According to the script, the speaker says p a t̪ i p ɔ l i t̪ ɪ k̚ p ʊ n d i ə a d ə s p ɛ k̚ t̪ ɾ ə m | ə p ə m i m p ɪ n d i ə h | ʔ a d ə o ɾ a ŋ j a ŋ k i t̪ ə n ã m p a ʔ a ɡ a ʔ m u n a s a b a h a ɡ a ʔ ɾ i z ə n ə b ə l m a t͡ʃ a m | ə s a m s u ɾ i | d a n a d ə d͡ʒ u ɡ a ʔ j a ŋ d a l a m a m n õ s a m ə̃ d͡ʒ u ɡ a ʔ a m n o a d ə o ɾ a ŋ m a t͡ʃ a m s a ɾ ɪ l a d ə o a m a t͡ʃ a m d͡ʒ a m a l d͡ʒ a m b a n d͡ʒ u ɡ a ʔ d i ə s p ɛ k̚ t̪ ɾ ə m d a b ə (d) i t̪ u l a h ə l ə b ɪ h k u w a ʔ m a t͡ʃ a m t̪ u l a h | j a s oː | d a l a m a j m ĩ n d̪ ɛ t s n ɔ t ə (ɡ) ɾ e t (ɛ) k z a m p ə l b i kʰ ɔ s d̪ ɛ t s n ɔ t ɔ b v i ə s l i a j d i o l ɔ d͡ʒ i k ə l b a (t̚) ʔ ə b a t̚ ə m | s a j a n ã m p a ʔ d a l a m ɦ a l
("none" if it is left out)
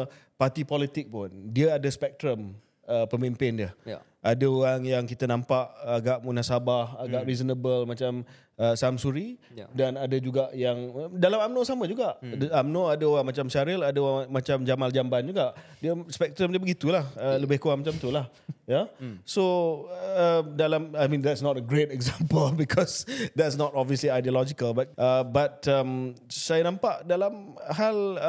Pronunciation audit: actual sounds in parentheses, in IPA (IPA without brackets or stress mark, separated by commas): ɡ, ɡ, ɛ, t̚